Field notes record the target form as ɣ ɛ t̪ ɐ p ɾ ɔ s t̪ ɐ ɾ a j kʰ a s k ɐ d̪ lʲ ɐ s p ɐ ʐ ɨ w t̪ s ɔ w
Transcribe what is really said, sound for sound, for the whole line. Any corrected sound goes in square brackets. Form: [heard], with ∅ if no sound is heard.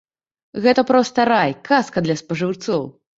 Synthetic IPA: ɣ ɛ t̪ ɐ p ɾ ɔ s t̪ ɐ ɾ a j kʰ a s k ɐ d̪ lʲ ɐ s p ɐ ʐ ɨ w t̪ s ɔ w